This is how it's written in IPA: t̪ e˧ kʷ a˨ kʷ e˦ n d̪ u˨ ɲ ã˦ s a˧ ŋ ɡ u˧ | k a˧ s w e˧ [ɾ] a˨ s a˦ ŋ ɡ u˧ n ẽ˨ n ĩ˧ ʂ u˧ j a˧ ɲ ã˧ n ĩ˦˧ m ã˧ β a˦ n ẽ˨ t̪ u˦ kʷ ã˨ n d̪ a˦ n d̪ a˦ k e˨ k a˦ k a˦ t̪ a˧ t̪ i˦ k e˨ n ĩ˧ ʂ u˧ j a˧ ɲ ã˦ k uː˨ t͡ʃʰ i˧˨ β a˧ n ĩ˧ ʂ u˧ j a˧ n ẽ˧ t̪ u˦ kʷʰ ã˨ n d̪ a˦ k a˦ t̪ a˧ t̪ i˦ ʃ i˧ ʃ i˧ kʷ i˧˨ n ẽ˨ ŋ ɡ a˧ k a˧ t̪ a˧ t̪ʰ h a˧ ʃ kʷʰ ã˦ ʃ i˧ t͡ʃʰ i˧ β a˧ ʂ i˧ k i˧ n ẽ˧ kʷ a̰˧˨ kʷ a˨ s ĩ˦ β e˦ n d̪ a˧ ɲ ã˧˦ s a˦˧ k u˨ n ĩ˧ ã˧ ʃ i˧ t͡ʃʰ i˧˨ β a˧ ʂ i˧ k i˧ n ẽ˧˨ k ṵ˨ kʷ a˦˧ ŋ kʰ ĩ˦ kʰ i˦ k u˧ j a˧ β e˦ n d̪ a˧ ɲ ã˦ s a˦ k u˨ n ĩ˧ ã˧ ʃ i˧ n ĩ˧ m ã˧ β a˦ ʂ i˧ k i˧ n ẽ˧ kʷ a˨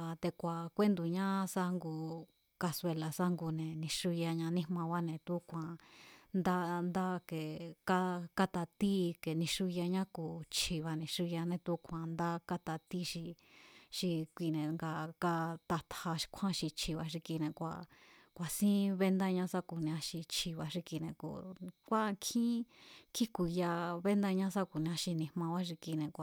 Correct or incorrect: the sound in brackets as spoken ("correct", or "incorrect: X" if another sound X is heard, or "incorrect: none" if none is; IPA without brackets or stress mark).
incorrect: l